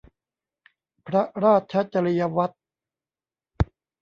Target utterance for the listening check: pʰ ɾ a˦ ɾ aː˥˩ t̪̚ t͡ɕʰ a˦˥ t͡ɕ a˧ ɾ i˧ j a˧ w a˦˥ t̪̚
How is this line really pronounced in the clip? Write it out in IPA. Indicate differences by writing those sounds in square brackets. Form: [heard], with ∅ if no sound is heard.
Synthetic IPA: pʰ ɾ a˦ ɾ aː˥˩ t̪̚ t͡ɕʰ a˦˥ t͡ɕ a˧ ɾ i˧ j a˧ w a˦˥ t̪̚